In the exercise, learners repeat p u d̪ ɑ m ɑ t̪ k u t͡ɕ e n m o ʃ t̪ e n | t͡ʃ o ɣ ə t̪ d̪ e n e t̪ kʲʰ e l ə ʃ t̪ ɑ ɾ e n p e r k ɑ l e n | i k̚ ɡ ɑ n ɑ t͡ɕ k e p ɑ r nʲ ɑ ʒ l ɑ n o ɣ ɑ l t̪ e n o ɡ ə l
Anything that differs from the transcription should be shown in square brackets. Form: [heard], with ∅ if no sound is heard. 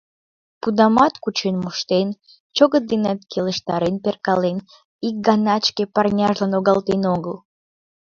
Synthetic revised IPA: p u d̪ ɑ m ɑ t̪ k u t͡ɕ e n m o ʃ t̪ e n | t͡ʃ o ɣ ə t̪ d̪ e n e t̪ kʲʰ e l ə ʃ t̪ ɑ ɾ e n p e r k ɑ l e n | i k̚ ɡ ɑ n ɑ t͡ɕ k e p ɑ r nʲ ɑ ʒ l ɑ n o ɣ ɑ l t̪ e n o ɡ ə l